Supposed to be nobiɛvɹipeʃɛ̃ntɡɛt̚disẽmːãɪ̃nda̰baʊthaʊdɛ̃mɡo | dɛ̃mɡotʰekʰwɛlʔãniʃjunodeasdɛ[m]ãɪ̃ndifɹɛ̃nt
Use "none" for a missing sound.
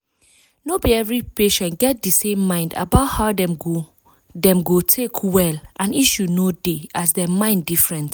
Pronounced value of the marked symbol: m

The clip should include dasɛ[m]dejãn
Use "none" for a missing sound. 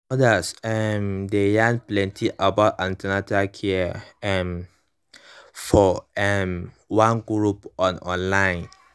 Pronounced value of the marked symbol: m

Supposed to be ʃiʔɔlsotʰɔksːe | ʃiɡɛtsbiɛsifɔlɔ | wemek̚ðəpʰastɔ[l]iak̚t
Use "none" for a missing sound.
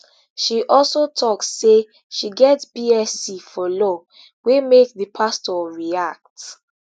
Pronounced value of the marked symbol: ɹ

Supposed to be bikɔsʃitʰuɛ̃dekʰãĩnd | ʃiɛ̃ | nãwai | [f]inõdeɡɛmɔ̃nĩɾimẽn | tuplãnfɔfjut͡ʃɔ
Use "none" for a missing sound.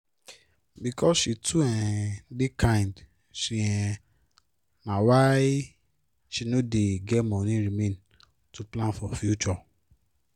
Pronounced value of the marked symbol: ʃ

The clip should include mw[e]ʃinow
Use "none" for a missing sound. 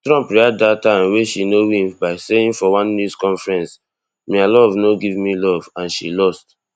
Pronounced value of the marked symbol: e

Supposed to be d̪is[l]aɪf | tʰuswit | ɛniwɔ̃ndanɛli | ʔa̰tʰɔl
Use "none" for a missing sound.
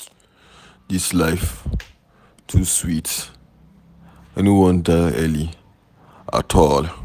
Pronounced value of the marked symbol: l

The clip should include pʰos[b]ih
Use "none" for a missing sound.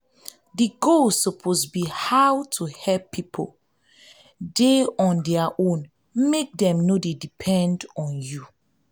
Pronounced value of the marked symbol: b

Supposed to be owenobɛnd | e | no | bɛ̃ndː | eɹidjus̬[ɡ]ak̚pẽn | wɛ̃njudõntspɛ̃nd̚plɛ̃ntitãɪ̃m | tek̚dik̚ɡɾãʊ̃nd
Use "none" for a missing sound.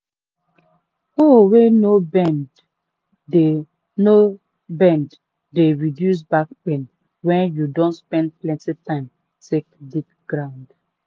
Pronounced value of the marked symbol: b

